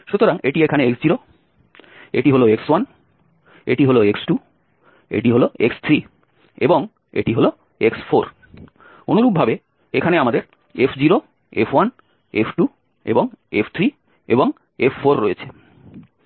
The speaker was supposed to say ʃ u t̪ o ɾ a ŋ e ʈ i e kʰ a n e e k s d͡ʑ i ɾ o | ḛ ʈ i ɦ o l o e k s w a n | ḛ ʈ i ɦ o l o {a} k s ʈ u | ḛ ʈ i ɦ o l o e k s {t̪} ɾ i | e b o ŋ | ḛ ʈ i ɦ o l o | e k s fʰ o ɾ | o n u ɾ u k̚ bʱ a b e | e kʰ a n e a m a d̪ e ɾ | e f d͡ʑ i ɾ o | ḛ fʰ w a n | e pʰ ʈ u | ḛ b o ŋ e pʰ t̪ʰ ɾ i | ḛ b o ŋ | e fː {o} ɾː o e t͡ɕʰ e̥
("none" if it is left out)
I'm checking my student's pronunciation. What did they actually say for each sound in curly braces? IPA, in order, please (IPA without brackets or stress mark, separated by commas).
e, t̪ʰ, o